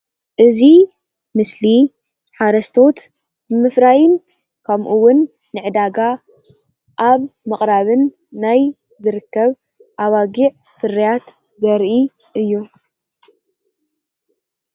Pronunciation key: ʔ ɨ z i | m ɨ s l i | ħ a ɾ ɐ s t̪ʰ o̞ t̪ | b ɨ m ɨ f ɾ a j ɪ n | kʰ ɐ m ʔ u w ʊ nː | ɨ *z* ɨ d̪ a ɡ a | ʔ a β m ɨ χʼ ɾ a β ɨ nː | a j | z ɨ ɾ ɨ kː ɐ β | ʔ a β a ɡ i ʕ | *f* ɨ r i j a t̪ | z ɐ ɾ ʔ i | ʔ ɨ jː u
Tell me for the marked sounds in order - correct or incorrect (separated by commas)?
incorrect, correct